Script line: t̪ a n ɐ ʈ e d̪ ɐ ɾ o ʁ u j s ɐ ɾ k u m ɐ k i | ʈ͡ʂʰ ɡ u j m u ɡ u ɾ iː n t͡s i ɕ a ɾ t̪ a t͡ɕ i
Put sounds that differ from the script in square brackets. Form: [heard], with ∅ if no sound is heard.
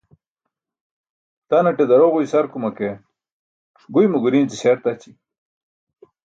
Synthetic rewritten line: t̪ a n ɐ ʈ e d̪ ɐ ɾ o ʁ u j s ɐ ɾ k u m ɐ k [e] | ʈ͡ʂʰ ɡ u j m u ɡ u ɾ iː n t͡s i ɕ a ɾ t̪ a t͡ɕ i